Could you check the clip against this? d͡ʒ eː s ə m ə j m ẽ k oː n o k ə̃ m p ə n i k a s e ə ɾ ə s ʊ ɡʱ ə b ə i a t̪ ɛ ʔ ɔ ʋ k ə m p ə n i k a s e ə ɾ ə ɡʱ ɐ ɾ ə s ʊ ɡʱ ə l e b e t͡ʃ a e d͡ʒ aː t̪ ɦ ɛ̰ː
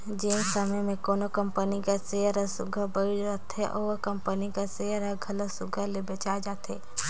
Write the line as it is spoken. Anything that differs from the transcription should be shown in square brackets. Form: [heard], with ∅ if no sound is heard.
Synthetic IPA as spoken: d͡ʒ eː s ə m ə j m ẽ k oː n o k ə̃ m p ə n i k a s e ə ɾ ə s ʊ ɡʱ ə b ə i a t̪ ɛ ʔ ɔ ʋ k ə m p ə n i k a s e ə ɾ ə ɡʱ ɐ [l] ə s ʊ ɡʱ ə l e b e t͡ʃ a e d͡ʒ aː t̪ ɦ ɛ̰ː

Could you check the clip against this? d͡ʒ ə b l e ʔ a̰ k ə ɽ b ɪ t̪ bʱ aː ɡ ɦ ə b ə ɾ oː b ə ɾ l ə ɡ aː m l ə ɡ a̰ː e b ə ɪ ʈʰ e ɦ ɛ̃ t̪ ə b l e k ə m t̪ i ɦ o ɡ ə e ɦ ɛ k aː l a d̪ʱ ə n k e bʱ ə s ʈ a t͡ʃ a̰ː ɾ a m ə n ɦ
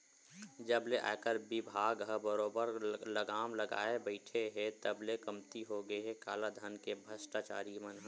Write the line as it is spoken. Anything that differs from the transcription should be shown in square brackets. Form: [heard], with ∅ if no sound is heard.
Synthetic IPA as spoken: d͡ʒ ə b l e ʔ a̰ k ə [ɾ] b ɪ [∅] bʱ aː ɡ ɦ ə b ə ɾ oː b ə ɾ l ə ɡ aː m l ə ɡ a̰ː e b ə ɪ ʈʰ e ɦ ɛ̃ t̪ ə b l e k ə m t̪ i ɦ o ɡ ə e ɦ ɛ k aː l a d̪ʱ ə n k e bʱ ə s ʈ a t͡ʃ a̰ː ɾ [i] m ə n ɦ

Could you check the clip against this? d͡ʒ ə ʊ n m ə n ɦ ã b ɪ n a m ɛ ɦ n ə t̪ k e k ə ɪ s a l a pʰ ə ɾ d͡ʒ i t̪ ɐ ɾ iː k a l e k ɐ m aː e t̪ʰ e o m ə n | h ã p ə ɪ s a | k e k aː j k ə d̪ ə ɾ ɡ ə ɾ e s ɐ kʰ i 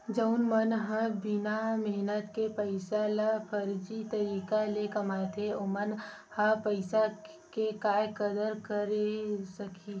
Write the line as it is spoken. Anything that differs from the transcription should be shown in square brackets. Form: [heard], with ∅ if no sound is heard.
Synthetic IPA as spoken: d͡ʒ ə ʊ n m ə n ɦ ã b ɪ n a m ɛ ɦ n ə t̪ k e [p] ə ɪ s a l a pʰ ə ɾ d͡ʒ i t̪ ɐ ɾ iː k a l e k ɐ m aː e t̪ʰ e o m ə n | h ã p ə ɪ s a | k e k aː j k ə d̪ ə ɾ [k] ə ɾ e s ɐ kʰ i

